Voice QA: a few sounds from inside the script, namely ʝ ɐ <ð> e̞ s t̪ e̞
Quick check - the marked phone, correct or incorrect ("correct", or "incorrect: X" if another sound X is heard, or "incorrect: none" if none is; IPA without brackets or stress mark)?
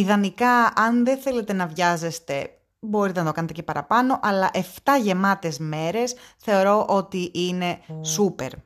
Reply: incorrect: z